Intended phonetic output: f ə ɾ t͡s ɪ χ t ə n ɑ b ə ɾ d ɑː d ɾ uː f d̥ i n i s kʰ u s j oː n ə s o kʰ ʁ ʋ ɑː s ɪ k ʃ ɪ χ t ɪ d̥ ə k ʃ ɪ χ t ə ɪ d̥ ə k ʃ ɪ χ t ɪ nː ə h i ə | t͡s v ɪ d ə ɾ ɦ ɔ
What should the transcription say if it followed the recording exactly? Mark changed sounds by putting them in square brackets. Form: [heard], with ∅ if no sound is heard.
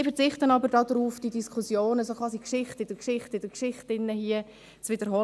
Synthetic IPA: f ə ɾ t͡s ɪ χ t ə n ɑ b ə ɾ d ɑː d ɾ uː f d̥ i [d] i s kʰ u s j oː n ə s o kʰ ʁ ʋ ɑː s [i] k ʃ ɪ χ t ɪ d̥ ə k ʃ ɪ χ t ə ɪ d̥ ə k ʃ ɪ χ t ɪ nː ə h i ə | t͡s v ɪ d ə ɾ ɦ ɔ